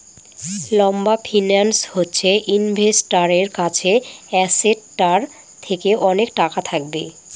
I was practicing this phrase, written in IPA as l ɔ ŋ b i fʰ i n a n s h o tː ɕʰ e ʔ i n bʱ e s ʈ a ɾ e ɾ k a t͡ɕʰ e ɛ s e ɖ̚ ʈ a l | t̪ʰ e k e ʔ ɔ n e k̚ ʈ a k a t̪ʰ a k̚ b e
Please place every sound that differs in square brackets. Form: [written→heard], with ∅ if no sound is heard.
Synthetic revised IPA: l ɔ [ŋ→m] b [i→a] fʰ i n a n s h o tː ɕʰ e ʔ i n bʱ e s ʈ a ɾ e ɾ k a t͡ɕʰ e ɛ s e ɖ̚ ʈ a [l→ɾ] | t̪ʰ e k e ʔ ɔ n e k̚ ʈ a k a t̪ʰ a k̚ b e